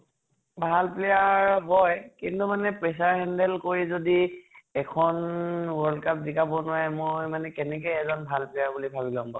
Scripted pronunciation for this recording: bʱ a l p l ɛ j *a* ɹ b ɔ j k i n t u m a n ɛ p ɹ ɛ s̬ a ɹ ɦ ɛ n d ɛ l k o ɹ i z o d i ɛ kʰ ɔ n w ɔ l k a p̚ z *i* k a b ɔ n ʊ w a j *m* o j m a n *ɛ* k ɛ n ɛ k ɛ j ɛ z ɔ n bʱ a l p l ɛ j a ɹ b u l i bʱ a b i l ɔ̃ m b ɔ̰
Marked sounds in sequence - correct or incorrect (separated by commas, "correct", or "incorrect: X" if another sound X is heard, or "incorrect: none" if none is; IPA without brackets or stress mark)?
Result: correct, correct, correct, correct